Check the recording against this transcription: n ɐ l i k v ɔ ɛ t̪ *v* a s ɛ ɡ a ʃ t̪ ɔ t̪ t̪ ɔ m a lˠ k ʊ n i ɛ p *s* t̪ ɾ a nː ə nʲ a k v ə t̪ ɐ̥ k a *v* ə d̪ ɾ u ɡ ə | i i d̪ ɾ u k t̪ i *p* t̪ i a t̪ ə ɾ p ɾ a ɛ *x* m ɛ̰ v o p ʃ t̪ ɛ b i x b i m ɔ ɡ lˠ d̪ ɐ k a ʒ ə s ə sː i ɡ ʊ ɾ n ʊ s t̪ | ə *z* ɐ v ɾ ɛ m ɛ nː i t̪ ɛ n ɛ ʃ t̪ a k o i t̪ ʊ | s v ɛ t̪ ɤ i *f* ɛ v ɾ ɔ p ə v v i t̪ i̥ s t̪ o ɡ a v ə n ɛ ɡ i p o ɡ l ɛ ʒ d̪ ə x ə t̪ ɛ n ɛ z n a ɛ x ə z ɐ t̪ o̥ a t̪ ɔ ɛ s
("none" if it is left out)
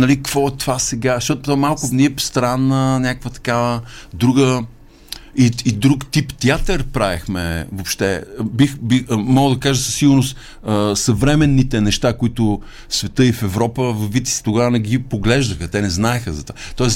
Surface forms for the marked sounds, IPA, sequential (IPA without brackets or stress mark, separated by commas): v, s, v, p, x, s, f